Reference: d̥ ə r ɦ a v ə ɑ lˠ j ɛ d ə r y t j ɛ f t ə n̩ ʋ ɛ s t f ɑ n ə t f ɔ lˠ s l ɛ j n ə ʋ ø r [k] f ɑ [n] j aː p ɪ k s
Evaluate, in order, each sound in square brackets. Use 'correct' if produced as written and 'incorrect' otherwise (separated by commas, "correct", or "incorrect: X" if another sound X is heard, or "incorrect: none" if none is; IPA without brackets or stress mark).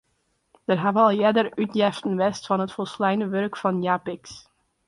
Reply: correct, correct